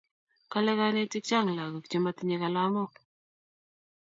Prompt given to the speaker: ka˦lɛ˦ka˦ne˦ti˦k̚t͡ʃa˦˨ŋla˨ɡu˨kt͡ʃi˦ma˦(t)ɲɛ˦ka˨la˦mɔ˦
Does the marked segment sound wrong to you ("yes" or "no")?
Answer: no